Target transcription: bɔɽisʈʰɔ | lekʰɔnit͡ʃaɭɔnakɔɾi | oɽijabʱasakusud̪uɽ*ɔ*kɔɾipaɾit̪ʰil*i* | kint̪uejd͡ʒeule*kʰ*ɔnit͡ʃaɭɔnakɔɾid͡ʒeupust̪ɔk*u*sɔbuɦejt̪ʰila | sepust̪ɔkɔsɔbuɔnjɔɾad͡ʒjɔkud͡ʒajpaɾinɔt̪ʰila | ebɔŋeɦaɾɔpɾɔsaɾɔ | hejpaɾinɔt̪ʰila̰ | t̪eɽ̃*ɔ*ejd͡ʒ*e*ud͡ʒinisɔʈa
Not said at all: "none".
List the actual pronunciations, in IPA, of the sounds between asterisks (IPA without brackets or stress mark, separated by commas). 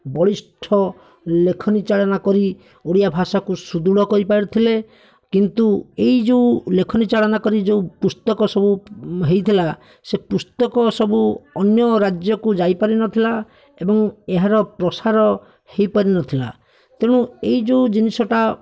ɔ, e, kʰ, ɔ, u, e